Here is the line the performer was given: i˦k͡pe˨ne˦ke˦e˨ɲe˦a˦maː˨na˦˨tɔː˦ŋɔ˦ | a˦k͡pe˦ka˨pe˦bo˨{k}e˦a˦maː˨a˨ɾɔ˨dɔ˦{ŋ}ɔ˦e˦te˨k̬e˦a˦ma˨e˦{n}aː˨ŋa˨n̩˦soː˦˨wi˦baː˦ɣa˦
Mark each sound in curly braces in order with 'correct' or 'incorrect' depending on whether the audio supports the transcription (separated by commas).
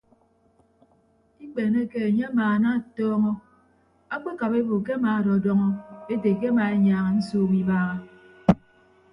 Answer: correct, correct, incorrect